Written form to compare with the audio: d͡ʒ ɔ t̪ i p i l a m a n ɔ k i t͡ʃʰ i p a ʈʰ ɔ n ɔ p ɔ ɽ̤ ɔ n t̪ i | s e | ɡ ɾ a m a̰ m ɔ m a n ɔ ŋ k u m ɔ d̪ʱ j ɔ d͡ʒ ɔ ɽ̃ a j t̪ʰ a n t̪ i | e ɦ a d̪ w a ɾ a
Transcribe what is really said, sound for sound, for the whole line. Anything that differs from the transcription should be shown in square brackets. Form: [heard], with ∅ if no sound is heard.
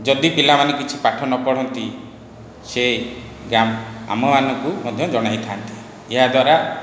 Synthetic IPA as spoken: d͡ʒ ɔ [d̪] i p i l a m a n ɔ k i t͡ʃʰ i p a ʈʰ ɔ n ɔ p ɔ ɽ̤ ɔ n t̪ i | s e | ɡ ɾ a m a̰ m ɔ m a n ɔ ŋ k u m ɔ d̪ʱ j ɔ d͡ʒ ɔ ɽ̃ a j t̪ʰ a n t̪ i | e ɦ a d̪ w a ɾ a